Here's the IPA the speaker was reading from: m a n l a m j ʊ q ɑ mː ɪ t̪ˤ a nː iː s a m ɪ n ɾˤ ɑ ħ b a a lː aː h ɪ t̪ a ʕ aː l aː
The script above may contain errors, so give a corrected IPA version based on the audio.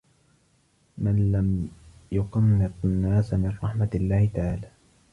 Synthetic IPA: m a n l a m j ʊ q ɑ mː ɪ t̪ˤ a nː aː s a m ɪ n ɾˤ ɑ ħ m a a lː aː h ɪ t̪ a ʕ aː l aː

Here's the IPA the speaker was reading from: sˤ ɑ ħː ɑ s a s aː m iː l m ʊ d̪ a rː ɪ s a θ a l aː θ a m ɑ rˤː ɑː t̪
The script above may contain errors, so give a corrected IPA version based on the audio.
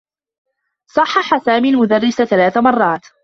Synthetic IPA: sˤ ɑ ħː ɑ ħ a s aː m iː l m ʊ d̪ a rː ɪ s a θ a l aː θ a m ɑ rˤː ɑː t̪

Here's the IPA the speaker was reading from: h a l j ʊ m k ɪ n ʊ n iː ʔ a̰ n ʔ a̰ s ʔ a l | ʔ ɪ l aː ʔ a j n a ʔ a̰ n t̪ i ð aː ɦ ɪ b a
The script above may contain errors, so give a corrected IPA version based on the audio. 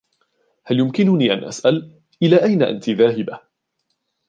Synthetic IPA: h a l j ʊ m k ɪ n ʊ n iː ʔ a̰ n ʔ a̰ s ʔ a l | ʔ ɪ l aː ʔ a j n a ʔ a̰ n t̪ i ð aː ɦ ɪ b a

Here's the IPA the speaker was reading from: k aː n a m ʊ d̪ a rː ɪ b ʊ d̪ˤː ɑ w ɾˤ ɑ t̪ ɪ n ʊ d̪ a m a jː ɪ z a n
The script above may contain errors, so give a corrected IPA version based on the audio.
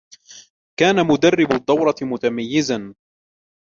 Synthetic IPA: k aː n a m ʊ d̪ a rː ɪ b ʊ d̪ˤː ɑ w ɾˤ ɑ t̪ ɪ m ʊ t̪ a m a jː ɪ z a n

